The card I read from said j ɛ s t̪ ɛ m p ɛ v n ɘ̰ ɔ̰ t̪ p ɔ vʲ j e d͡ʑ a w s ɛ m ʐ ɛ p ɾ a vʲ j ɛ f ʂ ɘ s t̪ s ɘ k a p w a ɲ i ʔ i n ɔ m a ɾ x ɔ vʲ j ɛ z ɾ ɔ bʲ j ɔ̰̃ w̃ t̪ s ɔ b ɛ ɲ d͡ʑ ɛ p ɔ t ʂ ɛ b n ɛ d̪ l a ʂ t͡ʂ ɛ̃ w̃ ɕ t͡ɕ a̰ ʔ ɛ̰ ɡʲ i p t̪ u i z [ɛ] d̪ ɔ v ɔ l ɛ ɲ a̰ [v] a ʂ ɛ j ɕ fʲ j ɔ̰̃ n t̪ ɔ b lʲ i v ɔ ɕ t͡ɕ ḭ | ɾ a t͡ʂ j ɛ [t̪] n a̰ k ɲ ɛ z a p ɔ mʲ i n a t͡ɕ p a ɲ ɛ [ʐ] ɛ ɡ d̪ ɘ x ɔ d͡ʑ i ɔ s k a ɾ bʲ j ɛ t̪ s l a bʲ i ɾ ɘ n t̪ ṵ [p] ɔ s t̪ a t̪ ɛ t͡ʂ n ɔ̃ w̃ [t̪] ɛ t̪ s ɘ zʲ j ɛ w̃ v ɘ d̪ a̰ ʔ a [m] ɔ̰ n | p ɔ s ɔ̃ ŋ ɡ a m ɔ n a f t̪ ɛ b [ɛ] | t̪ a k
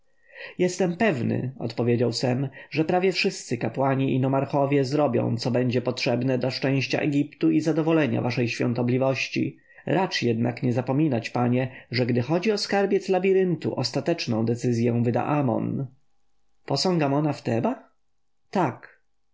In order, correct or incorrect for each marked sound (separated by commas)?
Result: incorrect, correct, incorrect, correct, incorrect, incorrect, correct, incorrect